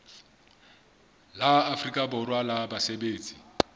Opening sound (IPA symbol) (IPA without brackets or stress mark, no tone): l